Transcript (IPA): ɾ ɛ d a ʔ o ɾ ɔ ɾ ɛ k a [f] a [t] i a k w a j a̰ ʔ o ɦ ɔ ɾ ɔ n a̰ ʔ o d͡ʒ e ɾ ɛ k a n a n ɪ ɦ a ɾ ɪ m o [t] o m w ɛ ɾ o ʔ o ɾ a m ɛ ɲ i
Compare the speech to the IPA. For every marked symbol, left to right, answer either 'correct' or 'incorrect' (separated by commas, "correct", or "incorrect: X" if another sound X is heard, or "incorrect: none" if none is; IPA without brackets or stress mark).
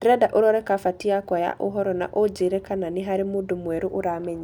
correct, correct, incorrect: d